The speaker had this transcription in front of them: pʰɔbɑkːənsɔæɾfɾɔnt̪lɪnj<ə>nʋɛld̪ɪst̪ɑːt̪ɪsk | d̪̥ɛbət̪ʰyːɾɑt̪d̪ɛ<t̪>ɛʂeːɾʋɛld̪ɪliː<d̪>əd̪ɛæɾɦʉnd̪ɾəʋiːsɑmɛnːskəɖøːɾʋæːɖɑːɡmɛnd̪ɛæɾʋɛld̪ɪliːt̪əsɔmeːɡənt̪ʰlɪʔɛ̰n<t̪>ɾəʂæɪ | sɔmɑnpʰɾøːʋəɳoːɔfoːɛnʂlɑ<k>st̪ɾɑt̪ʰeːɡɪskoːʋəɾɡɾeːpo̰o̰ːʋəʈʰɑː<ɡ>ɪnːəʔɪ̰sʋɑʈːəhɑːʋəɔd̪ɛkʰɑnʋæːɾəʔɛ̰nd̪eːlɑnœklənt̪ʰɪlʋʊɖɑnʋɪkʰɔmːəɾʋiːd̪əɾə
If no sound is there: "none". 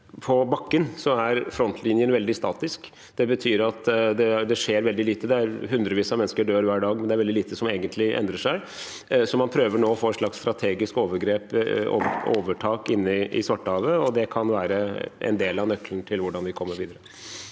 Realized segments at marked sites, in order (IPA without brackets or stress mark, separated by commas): ə, d̪, t̪, d̪, k, k